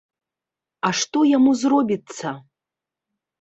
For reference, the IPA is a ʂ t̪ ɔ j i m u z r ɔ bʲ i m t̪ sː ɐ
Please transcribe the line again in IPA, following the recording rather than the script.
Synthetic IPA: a ʂ t̪ ɔ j a m u z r ɔ bʲ i t̪ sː ɐ